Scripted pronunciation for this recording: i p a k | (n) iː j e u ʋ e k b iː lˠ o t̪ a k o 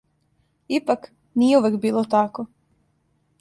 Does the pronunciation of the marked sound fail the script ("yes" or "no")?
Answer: no